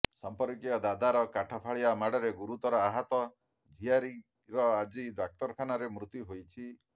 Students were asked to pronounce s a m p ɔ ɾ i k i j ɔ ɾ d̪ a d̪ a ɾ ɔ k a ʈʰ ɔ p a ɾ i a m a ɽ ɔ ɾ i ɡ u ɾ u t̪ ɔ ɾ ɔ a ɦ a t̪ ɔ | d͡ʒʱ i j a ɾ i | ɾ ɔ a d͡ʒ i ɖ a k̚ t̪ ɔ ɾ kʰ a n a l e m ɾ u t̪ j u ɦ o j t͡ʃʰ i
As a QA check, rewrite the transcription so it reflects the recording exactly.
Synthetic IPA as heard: s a m p ɔ ɾ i k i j ɔ d̪ a d̪ a ɾ ɔ k a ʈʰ ɔ pʰ a ɭ i a m a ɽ ɔ ɾ e ɡ u ɾ u t̪ ɔ ɾ ɔ a ɦ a t̪ ɔ | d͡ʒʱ i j a ɾ i | ɾ ɔ a d͡ʒ i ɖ a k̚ t̪ ɔ ɾ kʰ a n a ɾ e m ɾ u t̪ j u ɦ o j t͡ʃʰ i